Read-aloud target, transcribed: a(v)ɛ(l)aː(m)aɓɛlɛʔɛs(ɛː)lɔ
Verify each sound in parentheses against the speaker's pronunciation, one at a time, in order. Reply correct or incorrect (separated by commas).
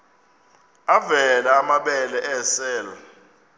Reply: correct, correct, correct, correct